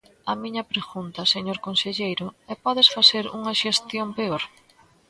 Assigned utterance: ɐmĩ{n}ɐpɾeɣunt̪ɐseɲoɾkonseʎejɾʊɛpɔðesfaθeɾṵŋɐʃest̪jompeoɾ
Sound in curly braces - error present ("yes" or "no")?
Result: yes